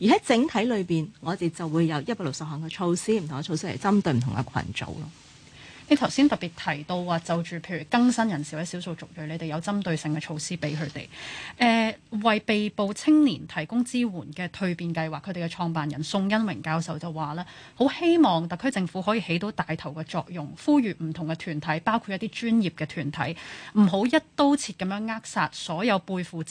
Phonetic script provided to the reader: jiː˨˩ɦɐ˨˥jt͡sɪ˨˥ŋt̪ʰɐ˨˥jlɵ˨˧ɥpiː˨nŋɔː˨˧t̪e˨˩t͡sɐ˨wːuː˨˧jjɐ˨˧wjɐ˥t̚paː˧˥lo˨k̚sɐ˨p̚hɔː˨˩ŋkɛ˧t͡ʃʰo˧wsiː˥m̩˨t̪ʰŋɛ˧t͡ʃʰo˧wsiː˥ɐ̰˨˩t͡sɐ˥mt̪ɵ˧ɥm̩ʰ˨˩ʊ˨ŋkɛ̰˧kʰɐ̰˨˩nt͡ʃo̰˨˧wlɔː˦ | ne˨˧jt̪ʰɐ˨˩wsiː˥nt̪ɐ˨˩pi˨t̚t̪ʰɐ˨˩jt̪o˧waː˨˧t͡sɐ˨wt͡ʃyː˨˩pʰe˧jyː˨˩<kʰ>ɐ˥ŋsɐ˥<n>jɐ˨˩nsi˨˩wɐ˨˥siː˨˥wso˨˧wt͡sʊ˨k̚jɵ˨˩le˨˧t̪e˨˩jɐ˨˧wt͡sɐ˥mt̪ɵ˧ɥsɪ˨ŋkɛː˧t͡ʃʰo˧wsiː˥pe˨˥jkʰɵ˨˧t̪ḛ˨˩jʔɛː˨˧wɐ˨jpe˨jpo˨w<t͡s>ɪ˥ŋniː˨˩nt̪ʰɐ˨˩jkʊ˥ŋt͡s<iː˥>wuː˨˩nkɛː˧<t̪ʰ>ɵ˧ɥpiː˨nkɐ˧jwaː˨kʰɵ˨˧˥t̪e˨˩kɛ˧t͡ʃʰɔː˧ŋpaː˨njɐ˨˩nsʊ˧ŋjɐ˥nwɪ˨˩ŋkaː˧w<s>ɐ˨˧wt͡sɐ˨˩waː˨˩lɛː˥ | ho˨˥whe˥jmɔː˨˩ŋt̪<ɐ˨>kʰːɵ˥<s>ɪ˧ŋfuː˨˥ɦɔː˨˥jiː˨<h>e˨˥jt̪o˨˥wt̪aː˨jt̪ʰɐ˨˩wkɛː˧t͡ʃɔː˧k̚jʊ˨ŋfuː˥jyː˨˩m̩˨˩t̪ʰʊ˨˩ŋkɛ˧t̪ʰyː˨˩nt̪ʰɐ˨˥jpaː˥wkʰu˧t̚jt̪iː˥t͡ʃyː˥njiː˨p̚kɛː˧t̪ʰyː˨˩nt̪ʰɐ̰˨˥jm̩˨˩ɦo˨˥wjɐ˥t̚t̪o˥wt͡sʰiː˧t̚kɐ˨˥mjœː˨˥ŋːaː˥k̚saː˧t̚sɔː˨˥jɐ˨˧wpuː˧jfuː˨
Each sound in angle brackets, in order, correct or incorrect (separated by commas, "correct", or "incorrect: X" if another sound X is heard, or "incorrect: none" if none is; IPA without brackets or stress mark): incorrect: k, correct, incorrect: t͡sʰ, correct, correct, correct, correct, incorrect: t͡s, correct